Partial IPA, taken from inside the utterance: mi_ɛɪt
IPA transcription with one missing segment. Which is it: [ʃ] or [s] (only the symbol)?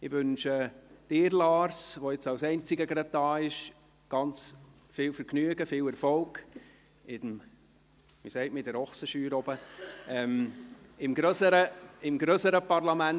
s